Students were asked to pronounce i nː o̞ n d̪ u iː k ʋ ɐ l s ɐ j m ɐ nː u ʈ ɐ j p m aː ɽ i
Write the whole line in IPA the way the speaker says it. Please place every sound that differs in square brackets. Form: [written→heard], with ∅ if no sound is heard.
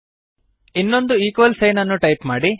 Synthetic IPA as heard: i nː o̞ n d̪ u iː k ʋ ɐ l s ɐ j [m→n] ɐ nː u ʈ ɐ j p m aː ɽ i